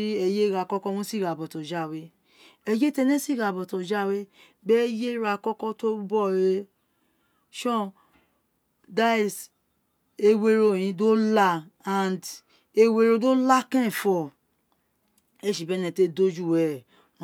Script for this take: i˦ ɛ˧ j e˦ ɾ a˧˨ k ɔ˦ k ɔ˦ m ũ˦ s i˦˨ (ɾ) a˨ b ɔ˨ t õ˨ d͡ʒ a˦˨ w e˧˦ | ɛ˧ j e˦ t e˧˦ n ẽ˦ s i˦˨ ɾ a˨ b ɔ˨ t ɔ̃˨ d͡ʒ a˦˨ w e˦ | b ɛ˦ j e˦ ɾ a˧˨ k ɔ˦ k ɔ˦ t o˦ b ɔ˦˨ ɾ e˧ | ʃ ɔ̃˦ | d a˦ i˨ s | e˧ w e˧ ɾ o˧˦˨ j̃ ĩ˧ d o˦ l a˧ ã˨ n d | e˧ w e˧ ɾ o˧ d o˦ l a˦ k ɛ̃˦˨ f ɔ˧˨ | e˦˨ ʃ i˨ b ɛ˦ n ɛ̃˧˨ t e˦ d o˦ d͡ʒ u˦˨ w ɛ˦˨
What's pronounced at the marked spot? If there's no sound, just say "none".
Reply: ɾ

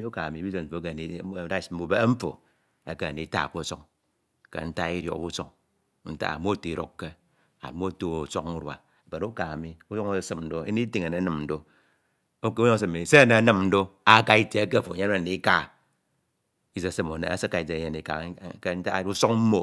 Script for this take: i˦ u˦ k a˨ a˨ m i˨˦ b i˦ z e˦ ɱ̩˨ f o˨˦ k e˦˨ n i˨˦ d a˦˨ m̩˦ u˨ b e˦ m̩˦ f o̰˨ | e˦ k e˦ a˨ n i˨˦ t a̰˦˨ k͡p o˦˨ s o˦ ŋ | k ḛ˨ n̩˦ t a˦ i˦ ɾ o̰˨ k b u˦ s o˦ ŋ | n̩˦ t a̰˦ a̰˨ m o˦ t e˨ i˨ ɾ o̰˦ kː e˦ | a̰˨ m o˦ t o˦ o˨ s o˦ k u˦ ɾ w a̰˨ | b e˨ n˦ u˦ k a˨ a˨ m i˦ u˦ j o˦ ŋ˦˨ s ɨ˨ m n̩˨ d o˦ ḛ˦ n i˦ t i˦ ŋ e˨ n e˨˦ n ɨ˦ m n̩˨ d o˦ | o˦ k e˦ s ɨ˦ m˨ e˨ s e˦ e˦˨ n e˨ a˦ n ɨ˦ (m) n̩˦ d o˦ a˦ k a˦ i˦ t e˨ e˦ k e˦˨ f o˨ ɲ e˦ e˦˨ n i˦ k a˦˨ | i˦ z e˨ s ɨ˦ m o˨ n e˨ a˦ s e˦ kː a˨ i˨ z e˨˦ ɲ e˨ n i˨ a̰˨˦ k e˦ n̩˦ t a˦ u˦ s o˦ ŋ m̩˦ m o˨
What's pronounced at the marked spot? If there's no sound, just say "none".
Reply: m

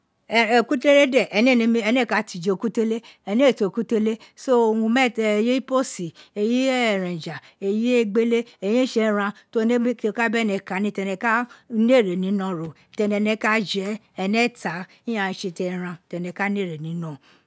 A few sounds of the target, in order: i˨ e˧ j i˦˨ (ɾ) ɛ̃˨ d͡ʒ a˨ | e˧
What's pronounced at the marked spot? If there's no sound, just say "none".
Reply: ɾ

